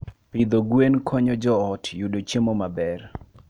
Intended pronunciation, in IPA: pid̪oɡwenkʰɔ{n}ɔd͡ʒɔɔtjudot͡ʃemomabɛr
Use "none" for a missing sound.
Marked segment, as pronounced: ɲ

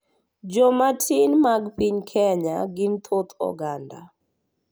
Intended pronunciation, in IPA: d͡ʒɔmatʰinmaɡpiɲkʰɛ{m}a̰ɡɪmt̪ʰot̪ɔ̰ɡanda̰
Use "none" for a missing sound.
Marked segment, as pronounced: ɲ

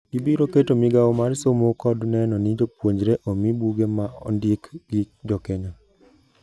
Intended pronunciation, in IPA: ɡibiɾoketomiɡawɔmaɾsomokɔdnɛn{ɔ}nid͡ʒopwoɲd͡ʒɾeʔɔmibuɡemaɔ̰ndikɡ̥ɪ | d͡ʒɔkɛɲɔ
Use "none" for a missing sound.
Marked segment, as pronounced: ɔ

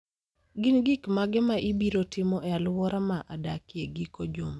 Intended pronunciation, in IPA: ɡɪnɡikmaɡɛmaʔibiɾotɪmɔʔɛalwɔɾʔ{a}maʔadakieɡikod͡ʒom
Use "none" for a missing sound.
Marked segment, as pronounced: a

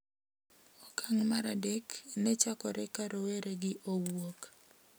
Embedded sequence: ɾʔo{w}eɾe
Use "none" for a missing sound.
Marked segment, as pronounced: w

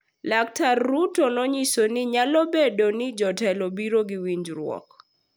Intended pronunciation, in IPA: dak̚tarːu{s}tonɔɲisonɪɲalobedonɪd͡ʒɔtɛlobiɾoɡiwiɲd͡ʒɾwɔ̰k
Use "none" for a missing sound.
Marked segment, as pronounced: none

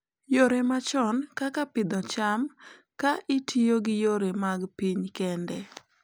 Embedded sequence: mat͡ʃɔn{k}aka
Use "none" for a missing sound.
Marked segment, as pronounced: k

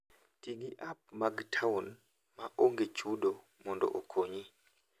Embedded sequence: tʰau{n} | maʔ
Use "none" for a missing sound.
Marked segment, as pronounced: n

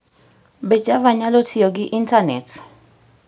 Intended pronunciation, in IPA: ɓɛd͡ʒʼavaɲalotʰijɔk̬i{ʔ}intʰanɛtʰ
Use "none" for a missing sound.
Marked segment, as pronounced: ʔ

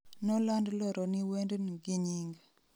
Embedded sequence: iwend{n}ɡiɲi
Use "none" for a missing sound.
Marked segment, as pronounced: n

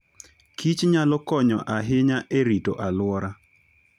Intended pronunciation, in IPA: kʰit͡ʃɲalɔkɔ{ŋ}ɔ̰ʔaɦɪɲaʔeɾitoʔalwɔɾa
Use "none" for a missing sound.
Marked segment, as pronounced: ɲ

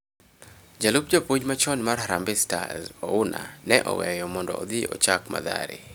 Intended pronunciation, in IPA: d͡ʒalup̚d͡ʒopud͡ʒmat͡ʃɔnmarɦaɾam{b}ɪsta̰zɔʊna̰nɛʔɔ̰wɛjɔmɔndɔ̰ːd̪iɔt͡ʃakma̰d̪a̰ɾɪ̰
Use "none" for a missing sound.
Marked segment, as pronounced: b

